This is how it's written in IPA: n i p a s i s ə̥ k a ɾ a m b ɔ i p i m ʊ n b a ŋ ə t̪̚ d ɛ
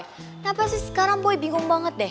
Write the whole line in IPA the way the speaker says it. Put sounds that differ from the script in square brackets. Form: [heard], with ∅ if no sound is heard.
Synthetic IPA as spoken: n [a] p a s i s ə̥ k a ɾ a [ŋ] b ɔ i [b] i [ŋ] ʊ [ŋ] b a ŋ ə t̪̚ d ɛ